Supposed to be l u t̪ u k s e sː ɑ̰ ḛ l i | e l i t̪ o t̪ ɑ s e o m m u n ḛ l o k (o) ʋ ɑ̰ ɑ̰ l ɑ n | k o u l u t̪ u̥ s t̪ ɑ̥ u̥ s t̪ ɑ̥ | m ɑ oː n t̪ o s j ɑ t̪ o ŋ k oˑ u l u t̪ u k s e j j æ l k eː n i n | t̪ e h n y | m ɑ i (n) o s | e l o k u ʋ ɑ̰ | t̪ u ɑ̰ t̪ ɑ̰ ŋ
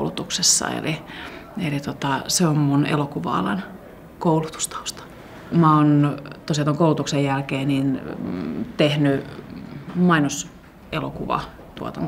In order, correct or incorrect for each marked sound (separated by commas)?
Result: incorrect, correct